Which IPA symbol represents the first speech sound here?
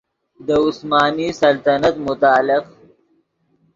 d̪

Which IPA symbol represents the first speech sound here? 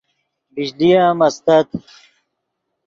b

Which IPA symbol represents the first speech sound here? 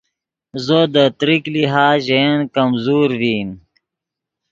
z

